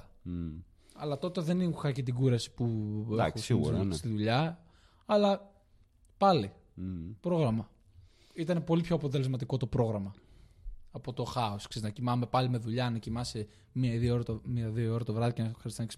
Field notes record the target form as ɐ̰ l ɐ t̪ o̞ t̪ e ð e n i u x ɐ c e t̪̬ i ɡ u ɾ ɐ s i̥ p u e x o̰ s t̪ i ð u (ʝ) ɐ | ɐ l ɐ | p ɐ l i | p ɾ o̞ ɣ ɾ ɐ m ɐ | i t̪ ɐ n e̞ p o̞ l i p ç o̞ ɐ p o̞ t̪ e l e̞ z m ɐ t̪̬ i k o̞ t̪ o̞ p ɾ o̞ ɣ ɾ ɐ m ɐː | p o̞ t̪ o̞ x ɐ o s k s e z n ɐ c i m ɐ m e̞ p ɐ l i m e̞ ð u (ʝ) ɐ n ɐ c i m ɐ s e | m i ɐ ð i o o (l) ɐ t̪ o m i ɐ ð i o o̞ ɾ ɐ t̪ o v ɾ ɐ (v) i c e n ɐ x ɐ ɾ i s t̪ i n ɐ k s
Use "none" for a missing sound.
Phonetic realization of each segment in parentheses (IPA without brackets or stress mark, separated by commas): ʎ, ʎ, ɾ, ð